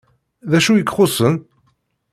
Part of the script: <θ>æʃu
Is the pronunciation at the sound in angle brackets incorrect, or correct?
incorrect